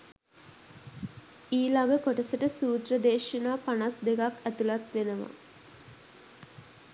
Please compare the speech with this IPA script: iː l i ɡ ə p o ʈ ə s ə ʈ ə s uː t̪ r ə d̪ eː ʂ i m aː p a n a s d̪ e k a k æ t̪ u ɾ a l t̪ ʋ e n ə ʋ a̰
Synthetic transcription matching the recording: iː l a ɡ ə k o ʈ ə s ə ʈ ə s uː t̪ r ə d̪ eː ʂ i n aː p a n a s d̪ e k a k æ t̪ u l a t̪ ʋ e n ə ʋ a̰